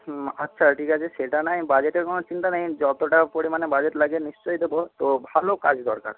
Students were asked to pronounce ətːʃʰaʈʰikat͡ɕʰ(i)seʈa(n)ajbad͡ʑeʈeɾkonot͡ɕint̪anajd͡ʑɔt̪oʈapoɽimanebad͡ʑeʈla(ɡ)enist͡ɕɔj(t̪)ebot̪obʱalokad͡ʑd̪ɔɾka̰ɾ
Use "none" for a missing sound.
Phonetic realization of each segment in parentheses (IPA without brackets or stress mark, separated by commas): e, n, ɡ, d̪